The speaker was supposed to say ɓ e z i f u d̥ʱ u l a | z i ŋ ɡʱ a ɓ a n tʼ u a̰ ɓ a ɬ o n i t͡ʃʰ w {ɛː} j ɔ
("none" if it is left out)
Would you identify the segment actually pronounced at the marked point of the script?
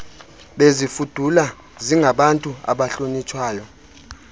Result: aː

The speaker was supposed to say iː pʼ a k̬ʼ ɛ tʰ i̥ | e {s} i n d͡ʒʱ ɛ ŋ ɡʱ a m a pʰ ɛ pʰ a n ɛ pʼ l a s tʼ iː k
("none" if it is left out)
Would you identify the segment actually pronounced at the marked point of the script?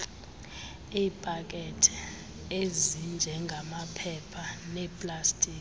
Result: z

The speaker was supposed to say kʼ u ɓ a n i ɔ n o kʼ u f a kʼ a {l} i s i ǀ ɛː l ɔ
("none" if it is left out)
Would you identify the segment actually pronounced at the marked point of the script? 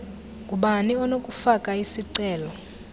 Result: none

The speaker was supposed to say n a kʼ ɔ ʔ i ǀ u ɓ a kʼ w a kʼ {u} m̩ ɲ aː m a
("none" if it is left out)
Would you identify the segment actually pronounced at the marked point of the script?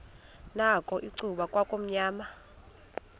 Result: o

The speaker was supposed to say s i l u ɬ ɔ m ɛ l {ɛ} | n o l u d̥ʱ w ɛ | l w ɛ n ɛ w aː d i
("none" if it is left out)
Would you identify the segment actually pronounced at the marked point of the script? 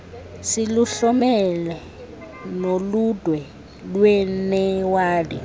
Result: ɛ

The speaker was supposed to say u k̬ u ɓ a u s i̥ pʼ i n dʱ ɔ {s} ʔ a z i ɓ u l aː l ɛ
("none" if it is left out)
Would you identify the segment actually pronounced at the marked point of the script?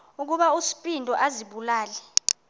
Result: none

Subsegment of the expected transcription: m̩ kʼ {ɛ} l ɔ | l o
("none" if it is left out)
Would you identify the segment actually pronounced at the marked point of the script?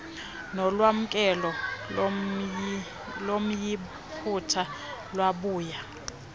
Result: ɛ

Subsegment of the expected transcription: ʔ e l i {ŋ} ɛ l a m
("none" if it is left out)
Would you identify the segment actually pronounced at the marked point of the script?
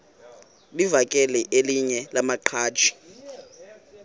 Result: ɲ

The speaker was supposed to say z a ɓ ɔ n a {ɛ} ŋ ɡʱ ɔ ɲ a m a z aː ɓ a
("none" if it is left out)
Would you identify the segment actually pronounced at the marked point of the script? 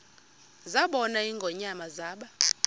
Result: i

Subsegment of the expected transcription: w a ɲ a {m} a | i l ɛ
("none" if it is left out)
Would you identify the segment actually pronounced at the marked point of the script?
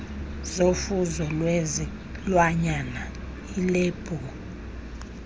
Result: n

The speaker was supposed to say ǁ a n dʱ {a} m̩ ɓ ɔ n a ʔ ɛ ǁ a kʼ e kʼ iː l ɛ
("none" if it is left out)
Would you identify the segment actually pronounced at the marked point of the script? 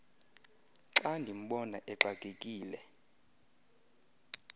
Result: i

